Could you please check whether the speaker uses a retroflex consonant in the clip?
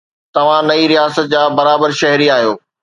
no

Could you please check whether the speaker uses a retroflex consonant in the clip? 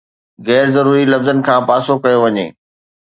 no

